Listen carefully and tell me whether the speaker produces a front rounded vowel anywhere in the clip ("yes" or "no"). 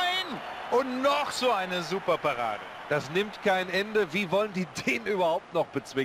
yes